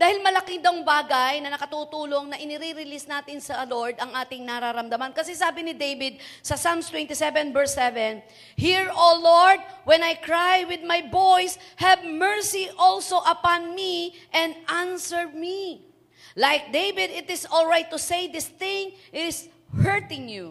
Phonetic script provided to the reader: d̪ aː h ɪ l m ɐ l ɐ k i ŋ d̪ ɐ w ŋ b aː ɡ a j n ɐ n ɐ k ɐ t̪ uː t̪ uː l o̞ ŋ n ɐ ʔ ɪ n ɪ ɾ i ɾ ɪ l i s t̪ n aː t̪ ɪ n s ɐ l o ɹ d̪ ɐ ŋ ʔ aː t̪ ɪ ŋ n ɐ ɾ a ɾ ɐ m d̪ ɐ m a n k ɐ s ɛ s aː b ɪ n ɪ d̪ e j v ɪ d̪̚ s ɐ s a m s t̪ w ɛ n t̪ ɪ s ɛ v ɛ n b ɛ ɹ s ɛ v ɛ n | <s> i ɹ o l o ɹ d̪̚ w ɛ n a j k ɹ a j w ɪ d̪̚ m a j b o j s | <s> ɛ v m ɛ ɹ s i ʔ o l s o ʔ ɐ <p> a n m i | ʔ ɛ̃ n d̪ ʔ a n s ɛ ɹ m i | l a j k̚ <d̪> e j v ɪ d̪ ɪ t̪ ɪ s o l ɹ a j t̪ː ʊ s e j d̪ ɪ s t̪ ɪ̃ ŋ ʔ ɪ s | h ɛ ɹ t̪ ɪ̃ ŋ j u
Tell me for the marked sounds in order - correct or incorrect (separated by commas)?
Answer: incorrect, incorrect, correct, correct